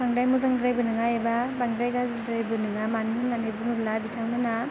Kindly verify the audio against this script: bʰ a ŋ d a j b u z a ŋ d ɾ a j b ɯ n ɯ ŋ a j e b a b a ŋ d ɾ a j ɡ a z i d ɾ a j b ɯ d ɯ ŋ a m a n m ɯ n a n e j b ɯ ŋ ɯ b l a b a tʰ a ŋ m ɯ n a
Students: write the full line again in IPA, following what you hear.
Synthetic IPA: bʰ a ŋ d a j m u z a ŋ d ɾ a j b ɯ n ɯ ŋ a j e b a b a ŋ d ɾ a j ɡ a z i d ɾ a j b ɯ n ɯ ŋ a m a n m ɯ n a n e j b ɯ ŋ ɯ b l a b i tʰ a ŋ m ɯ n a